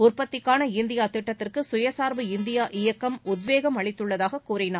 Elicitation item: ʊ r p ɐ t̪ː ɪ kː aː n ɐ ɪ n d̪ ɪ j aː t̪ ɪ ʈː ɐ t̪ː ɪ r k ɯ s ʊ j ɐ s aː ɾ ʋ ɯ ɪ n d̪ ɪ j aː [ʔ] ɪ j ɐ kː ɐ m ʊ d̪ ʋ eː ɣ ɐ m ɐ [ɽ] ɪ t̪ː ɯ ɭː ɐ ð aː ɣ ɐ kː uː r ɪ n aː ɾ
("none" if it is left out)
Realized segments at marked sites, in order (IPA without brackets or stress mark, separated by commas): ʔ, ɭ